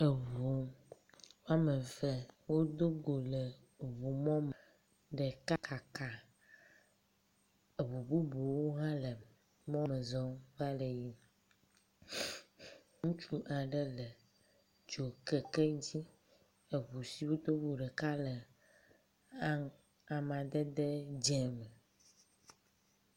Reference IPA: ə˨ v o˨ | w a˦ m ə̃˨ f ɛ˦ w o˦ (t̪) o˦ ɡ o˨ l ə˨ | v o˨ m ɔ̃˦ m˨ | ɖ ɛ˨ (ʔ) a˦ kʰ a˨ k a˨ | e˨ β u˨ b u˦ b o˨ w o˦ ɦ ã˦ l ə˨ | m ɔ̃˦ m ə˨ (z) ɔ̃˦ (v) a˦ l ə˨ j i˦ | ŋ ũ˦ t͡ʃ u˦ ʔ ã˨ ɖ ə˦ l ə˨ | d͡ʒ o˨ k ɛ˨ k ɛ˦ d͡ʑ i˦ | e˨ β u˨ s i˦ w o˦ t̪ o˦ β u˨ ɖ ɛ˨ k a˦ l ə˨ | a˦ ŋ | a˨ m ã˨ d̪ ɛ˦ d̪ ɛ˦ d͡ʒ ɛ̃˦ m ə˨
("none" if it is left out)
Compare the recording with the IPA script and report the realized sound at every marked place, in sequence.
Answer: d̪, k, z, v

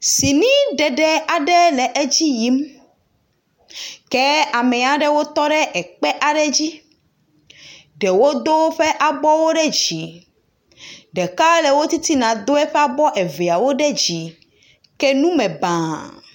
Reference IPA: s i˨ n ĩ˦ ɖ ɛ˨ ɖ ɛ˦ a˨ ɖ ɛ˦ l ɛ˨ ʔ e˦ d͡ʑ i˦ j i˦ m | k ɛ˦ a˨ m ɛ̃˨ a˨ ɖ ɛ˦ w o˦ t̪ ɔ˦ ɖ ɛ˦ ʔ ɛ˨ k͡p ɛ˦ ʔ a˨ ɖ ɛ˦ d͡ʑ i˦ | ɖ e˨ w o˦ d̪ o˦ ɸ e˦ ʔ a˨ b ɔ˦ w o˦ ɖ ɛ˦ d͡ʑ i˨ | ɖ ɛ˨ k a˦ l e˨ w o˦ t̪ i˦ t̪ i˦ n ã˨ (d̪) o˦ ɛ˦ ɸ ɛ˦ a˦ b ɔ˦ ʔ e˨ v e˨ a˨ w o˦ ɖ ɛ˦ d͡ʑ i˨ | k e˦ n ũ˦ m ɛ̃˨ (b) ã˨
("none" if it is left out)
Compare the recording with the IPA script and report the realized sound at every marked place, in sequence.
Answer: d̪, b

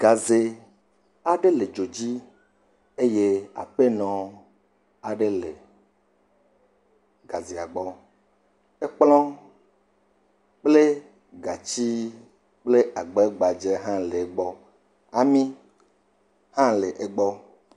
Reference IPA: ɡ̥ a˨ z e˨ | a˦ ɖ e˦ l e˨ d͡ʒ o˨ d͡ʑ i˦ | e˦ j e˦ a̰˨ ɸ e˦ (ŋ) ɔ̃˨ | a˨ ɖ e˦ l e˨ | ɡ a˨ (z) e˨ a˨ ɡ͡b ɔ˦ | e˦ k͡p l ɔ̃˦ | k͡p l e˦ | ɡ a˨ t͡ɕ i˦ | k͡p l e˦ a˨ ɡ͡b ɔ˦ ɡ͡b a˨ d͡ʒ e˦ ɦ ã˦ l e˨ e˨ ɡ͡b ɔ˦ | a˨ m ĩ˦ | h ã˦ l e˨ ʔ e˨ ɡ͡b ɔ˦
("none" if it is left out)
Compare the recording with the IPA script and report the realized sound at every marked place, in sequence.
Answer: n, z

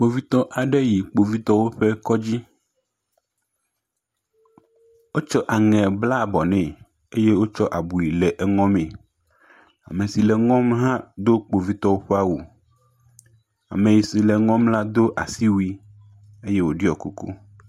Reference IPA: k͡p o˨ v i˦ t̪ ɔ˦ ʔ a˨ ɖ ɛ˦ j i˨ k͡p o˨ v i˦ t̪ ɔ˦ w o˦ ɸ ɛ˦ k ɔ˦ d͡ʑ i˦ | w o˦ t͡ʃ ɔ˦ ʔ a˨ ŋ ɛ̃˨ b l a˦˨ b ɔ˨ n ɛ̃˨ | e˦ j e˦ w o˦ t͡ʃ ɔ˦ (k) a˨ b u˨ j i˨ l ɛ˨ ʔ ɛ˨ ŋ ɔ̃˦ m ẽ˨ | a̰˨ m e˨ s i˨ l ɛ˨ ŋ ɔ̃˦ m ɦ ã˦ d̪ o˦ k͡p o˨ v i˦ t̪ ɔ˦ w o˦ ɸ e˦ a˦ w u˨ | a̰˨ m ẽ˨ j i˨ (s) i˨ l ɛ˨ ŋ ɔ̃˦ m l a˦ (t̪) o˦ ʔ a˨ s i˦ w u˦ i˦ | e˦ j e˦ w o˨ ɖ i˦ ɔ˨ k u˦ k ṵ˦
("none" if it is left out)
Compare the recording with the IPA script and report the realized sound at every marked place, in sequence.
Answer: ʔ, s, d̪

